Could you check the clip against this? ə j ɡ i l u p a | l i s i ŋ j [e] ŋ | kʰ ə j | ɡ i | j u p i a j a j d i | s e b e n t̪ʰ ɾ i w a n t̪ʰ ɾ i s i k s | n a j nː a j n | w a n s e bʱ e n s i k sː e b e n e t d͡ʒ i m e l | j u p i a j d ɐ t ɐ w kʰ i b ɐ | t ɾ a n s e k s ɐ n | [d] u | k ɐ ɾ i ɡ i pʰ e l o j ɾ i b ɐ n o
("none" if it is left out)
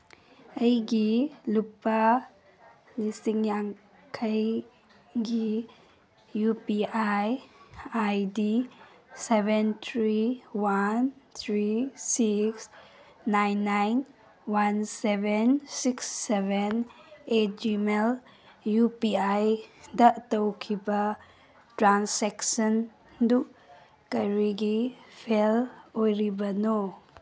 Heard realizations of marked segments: a, d

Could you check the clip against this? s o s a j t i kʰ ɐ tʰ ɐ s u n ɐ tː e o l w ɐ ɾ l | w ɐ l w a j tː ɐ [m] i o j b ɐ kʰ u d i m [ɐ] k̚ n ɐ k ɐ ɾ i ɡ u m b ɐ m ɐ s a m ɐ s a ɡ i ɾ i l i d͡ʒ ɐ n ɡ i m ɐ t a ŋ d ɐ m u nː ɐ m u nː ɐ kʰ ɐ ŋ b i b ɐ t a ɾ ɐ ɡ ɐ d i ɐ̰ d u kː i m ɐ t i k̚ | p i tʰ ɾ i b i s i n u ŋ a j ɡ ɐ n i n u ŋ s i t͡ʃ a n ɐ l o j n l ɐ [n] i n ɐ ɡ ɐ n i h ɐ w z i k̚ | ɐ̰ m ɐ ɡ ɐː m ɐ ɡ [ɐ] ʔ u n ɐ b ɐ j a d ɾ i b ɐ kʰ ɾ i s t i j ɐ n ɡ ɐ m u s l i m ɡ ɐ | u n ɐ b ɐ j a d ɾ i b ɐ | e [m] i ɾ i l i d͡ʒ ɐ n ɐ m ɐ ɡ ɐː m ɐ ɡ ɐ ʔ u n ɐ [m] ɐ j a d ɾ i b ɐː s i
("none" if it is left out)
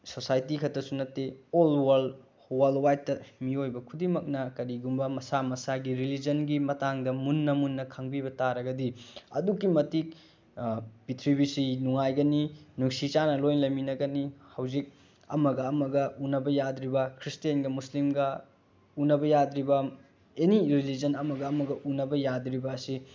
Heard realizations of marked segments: m, ɐ, m, ɐ, n, b

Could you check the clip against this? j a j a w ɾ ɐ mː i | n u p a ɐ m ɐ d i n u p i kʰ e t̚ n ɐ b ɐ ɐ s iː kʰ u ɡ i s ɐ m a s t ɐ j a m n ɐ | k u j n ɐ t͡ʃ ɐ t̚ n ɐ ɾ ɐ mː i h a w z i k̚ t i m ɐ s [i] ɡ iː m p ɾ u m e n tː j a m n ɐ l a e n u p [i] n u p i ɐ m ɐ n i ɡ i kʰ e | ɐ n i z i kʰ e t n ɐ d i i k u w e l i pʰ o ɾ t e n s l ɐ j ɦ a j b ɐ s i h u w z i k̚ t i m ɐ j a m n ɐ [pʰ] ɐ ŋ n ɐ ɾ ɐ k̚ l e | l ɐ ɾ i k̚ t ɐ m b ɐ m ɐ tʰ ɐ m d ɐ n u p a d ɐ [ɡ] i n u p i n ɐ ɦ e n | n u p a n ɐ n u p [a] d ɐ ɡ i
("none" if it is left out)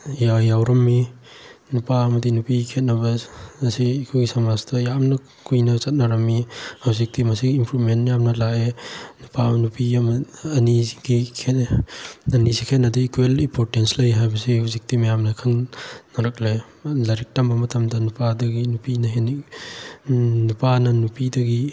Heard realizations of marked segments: i, a, kʰ, ɡ, i

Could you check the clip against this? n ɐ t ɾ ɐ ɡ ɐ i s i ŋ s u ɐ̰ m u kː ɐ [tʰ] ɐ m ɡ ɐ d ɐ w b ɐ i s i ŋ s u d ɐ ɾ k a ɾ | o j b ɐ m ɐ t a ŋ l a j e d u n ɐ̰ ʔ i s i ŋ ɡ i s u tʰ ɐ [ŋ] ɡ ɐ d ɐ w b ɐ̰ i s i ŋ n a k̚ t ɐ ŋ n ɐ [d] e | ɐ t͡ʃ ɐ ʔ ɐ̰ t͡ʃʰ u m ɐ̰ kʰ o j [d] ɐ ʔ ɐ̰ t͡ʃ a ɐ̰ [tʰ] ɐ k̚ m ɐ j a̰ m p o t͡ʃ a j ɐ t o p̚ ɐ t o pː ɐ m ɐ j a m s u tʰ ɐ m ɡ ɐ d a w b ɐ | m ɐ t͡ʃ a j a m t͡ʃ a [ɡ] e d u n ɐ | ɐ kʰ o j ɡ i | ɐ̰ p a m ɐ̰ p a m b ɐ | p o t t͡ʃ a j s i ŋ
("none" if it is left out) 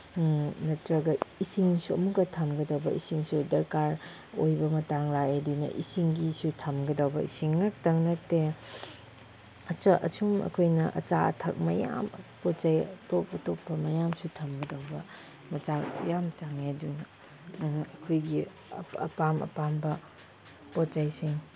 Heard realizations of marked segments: tʰ, m, t, n, tʰ, ŋ

